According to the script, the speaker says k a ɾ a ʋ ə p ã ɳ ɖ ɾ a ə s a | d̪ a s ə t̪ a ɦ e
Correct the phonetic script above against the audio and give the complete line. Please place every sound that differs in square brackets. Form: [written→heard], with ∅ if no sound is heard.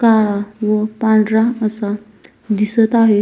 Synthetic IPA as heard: k a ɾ a ʋ ə p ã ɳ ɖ ɾ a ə s a | d̪ [a→i] s ə t̪ a ɦ e